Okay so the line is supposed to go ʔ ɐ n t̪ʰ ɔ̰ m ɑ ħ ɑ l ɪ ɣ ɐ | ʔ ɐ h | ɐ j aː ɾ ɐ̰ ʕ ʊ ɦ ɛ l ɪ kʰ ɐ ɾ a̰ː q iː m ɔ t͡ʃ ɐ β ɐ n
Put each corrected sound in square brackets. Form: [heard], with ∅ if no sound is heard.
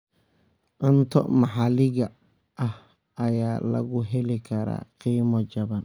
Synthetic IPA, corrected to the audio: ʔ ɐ n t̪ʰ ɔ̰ m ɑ ħ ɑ l ɪ ɣ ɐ | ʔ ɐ h | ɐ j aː [l] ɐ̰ [ɣ] ʊ ɦ ɛ l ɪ kʰ ɐ ɾ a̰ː q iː m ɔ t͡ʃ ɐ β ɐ n